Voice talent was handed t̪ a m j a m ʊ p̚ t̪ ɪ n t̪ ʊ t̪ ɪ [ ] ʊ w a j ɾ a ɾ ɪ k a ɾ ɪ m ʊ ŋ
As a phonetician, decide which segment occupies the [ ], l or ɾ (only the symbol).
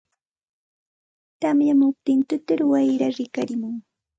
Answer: ɾ